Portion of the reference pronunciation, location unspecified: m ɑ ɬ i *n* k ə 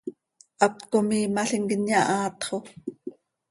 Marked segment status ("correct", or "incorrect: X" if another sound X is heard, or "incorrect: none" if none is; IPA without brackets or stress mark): incorrect: ŋ